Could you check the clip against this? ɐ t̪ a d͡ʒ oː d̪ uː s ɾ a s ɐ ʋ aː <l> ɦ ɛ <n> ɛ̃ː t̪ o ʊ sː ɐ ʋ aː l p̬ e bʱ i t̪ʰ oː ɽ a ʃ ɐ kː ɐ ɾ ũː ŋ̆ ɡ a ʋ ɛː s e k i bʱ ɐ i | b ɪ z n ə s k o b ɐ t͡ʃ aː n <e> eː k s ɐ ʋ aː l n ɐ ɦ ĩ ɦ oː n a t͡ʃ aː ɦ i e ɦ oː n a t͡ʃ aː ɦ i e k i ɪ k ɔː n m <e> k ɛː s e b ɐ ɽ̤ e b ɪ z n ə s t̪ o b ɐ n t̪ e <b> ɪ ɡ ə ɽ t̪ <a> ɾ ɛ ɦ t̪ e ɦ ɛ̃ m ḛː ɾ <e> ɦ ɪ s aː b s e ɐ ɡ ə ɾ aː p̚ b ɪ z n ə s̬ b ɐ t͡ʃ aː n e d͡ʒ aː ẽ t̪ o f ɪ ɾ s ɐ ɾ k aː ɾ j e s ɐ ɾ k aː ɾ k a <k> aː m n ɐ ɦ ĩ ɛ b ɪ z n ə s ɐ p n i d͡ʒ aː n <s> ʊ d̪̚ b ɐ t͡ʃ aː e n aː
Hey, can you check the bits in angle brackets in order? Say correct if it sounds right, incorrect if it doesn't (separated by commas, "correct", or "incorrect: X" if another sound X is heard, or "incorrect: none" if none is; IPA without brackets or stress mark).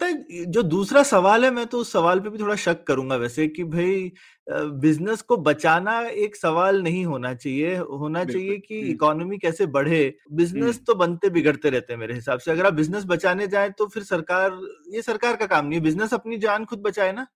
correct, incorrect: m, incorrect: a, incorrect: i, correct, incorrect: e, correct, correct, incorrect: x